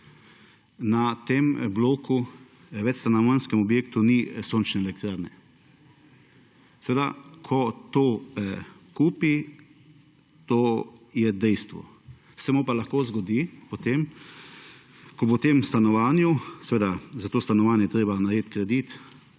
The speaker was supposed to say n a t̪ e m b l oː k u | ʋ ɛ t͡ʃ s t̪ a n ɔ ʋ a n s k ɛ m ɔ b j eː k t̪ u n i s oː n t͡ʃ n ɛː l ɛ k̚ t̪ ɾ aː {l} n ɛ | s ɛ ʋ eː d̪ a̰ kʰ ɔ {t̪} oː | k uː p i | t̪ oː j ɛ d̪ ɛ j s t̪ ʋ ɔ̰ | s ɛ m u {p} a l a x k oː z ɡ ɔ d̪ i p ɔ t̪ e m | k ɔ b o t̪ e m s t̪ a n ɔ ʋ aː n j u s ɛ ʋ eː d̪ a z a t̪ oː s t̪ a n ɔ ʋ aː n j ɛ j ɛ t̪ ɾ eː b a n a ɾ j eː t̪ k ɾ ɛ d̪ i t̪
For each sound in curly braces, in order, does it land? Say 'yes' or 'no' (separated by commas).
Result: no, yes, yes